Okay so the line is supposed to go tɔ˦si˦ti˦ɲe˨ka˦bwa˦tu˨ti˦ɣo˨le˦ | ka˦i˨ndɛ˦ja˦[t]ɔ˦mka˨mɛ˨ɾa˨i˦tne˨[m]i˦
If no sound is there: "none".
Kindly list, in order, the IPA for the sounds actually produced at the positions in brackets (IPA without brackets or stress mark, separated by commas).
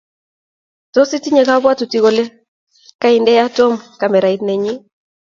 t, ɲ